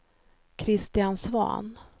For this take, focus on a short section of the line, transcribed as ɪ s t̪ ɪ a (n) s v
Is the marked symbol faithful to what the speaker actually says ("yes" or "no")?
yes